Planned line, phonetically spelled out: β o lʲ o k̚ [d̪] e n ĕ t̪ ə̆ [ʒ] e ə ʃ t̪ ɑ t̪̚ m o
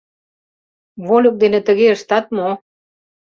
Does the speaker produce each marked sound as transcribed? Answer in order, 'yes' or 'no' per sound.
yes, no

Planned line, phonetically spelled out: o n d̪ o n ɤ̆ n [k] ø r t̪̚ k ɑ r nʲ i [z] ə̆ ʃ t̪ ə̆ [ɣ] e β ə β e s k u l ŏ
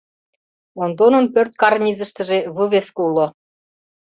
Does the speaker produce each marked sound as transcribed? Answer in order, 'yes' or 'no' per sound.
no, yes, no

